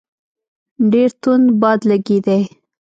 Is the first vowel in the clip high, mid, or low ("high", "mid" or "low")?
mid